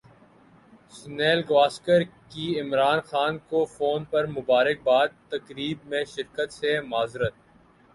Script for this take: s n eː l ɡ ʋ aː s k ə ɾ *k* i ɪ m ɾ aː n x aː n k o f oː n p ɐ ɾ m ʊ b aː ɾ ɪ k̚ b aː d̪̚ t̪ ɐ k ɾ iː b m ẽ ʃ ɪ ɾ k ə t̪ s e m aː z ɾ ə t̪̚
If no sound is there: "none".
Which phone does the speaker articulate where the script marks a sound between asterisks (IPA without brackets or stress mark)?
k